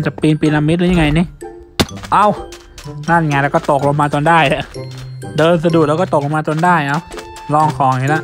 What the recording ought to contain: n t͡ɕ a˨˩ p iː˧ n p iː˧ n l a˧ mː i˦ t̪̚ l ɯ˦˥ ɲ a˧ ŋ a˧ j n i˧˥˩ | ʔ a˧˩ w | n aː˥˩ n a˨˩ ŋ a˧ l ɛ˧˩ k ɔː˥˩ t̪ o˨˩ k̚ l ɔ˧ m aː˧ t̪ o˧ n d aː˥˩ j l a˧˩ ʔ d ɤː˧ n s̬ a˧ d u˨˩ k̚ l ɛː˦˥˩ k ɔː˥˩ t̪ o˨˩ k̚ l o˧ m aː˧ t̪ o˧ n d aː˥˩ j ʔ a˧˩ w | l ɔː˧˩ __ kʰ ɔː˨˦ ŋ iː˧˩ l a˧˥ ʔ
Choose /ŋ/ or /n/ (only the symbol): ŋ